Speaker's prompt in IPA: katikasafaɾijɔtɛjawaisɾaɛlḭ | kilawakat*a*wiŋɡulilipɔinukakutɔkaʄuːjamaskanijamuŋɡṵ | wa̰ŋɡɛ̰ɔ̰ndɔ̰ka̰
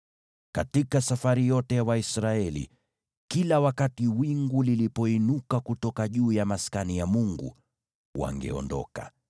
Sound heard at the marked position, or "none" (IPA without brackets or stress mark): i